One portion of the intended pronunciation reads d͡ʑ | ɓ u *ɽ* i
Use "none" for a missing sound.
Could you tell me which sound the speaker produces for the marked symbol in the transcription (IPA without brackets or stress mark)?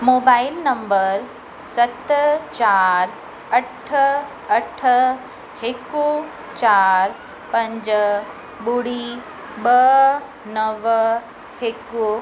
ɽ